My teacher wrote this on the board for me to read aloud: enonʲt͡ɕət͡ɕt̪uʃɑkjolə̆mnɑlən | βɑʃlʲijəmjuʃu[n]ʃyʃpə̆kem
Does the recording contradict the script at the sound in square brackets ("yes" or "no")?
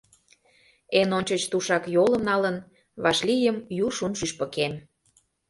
no